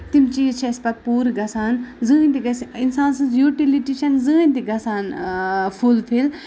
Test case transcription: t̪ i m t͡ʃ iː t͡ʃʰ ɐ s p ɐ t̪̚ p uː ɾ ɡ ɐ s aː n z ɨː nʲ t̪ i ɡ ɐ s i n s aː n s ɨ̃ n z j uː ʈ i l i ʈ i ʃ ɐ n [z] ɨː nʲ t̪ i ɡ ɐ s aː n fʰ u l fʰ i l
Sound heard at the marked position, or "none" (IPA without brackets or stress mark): z